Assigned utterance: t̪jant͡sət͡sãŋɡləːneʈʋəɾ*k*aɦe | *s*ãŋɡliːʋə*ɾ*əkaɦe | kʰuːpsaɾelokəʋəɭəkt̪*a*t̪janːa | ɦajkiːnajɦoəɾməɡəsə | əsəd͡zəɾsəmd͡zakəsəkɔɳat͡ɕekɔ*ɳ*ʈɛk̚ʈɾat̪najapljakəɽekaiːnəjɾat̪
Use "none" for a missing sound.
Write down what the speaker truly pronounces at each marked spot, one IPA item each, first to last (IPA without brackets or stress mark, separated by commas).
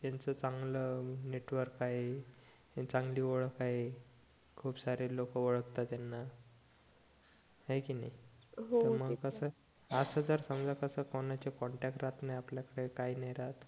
k, t͡s, ɭ, a, ɳ